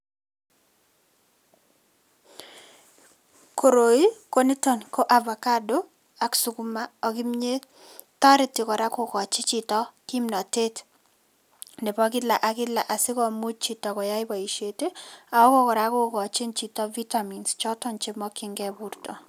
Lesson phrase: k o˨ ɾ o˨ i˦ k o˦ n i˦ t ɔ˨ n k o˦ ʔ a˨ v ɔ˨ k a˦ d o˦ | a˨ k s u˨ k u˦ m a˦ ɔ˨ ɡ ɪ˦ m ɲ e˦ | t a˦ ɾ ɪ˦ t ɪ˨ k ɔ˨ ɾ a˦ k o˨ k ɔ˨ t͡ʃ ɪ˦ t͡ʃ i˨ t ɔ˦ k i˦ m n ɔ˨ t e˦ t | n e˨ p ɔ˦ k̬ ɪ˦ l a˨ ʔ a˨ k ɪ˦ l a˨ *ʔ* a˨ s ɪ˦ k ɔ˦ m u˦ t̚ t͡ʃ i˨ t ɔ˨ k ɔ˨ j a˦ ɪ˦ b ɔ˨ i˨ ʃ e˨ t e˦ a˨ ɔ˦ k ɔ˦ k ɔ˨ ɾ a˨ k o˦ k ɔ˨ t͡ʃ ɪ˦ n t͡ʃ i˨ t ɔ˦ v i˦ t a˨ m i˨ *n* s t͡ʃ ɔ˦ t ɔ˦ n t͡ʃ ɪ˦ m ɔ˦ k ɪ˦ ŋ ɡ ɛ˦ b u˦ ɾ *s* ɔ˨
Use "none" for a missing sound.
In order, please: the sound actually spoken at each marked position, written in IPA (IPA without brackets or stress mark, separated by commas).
ʔ, n, t